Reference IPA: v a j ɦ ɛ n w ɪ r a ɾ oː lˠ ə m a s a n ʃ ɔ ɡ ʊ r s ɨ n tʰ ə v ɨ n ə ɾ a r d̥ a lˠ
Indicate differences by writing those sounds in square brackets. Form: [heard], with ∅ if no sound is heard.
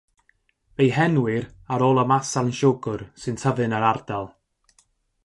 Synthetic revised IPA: v [e] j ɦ ɛ n w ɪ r a ɾ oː lˠ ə m a s a n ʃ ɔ ɡ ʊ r s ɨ n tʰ ə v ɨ n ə ɾ a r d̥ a lˠ